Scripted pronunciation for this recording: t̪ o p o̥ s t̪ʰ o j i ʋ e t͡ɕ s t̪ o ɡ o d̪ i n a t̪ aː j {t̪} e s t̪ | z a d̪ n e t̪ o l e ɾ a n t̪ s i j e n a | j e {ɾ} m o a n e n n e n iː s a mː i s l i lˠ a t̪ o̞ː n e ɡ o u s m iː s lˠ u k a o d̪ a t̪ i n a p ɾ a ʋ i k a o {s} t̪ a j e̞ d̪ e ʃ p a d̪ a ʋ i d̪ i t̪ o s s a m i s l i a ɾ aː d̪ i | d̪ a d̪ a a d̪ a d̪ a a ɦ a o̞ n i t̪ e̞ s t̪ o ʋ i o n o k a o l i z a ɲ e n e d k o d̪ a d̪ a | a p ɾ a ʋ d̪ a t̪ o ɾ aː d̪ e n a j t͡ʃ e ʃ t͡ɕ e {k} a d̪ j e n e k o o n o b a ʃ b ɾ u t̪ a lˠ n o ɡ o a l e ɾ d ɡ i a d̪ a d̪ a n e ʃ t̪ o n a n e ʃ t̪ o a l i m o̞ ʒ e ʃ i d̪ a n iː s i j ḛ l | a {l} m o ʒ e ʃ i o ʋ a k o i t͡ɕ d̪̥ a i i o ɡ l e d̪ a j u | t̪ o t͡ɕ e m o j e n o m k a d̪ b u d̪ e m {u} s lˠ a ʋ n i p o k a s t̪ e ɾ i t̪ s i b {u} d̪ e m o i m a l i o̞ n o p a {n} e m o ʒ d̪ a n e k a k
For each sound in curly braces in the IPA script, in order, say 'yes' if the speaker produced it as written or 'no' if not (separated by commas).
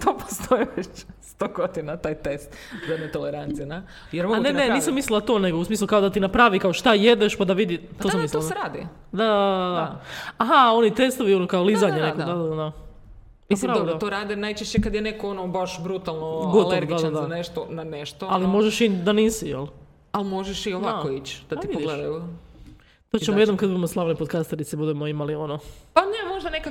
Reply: yes, yes, no, yes, yes, no, yes, yes